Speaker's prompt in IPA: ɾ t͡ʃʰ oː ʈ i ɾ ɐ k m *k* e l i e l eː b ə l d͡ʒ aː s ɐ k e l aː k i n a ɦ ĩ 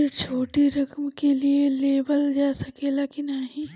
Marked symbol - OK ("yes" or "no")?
yes